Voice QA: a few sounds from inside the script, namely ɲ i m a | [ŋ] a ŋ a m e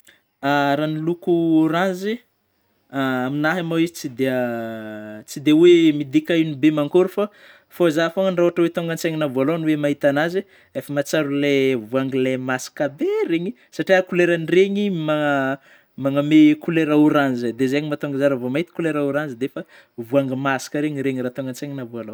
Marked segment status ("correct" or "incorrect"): incorrect